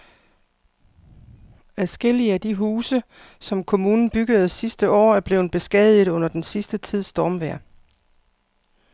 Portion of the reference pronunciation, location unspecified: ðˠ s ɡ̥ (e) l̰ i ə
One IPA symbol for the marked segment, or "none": e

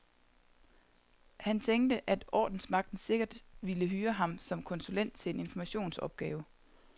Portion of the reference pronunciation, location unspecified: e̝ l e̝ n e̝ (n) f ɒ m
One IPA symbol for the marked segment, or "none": n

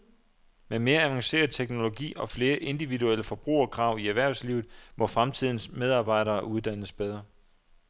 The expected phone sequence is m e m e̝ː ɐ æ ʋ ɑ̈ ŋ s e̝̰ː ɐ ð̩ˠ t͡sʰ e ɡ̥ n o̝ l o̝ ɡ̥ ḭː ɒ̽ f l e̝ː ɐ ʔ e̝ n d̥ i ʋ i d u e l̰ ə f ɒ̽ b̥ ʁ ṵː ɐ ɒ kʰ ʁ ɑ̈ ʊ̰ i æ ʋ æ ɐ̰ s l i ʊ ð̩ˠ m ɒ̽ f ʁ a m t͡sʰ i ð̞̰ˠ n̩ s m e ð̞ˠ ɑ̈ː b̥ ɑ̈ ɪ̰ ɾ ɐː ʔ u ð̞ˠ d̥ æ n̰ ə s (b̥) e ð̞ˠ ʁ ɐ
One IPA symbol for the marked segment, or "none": b̥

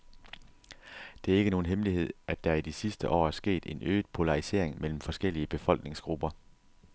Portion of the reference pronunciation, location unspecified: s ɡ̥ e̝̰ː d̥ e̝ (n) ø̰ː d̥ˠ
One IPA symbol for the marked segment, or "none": n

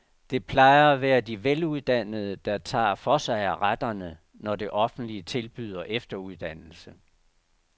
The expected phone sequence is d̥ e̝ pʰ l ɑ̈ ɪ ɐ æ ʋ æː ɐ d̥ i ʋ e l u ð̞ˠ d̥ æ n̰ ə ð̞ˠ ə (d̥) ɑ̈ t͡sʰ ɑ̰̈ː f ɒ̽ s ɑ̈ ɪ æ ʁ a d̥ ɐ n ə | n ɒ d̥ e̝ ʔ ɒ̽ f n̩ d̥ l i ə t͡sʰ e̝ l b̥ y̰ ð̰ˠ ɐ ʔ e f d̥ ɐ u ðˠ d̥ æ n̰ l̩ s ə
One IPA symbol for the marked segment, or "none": d̥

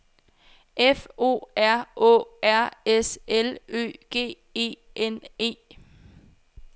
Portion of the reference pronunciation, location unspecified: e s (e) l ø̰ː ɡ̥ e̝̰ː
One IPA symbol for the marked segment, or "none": e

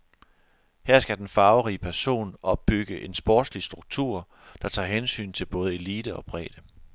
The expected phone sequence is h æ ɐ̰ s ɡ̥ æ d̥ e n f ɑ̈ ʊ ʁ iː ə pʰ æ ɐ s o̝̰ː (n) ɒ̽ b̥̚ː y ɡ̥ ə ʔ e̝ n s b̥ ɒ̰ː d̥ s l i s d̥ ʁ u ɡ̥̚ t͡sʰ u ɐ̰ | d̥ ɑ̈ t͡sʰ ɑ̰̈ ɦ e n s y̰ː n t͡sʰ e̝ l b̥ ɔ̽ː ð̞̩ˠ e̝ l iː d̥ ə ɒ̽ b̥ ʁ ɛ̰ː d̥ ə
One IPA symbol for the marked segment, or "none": n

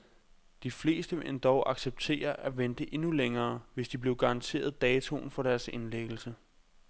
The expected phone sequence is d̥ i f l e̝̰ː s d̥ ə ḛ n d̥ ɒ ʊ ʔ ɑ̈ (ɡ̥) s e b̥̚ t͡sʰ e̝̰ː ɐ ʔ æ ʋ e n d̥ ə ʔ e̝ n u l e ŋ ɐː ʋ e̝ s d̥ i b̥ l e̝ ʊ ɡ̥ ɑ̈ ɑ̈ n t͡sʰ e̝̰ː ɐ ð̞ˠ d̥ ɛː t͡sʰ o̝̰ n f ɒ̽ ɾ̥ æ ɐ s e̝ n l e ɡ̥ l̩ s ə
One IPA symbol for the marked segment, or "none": ɡ̥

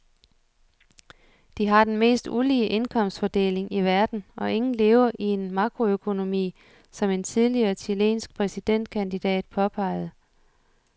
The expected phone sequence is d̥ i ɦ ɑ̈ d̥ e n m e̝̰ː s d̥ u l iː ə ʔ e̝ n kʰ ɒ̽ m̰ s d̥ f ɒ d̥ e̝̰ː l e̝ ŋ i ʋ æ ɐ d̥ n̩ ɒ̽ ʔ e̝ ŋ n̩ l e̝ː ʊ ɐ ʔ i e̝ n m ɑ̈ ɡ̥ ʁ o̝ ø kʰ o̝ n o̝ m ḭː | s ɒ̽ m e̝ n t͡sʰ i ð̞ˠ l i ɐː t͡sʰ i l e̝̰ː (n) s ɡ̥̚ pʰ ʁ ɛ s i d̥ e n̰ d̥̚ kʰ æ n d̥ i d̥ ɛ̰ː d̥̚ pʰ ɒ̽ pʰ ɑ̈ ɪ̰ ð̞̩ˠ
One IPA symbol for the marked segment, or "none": n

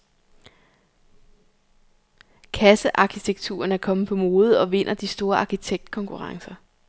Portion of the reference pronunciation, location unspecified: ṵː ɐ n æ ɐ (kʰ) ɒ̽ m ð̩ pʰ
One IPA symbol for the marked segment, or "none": kʰ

